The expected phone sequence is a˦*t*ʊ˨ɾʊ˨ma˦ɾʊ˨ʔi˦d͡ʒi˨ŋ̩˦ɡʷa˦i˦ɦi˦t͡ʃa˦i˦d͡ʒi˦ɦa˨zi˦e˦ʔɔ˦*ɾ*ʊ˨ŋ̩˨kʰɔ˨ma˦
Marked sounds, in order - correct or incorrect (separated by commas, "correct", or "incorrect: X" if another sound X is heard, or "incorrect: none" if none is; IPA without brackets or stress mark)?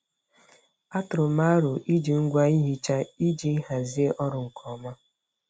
correct, correct